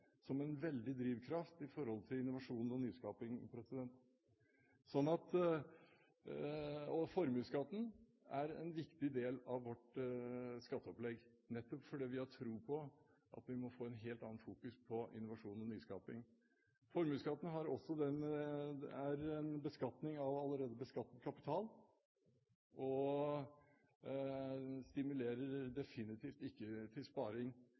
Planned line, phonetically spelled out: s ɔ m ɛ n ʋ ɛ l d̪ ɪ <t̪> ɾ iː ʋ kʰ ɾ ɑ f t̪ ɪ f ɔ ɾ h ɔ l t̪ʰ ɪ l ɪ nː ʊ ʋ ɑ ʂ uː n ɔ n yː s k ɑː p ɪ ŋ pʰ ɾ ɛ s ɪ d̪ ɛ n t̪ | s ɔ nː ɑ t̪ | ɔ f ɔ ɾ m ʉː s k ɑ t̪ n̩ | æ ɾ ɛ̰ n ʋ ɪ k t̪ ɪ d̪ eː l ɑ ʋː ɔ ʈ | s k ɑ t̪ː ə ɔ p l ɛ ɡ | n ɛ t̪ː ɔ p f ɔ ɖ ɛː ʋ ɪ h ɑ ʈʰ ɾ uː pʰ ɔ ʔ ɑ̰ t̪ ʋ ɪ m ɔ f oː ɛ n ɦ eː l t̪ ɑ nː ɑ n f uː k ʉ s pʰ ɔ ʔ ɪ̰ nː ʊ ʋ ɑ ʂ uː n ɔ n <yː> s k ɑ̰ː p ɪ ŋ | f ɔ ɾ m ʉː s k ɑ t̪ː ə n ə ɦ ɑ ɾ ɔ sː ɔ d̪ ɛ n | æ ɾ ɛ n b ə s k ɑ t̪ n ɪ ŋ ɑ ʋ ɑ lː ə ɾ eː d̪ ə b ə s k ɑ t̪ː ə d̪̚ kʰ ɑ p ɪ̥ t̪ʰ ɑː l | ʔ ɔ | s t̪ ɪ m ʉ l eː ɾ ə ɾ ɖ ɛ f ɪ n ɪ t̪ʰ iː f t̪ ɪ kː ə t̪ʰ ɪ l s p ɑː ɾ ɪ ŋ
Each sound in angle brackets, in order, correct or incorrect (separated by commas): incorrect, correct